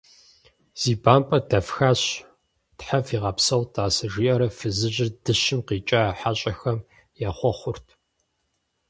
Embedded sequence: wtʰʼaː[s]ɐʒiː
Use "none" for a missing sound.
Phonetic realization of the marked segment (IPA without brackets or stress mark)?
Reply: s